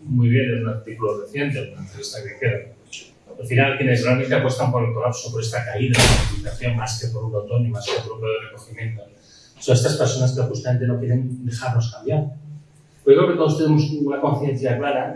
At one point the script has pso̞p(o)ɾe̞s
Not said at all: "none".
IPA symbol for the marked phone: o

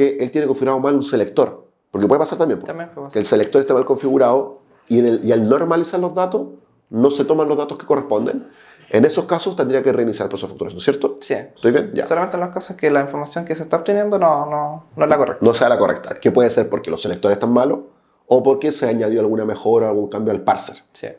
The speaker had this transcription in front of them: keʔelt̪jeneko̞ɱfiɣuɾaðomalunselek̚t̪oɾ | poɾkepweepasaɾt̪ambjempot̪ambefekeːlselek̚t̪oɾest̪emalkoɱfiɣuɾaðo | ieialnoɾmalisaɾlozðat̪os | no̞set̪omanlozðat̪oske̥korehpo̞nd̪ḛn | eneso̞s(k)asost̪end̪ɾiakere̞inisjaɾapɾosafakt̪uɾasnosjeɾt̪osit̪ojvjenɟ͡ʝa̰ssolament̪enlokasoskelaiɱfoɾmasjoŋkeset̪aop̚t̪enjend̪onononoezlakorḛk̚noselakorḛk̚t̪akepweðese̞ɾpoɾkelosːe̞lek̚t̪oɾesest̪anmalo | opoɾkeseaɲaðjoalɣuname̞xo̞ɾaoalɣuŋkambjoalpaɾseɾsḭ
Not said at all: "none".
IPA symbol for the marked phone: k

